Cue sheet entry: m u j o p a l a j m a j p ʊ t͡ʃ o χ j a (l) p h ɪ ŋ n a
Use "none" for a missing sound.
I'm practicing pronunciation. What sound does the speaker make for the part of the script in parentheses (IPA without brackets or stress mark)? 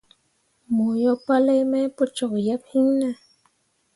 none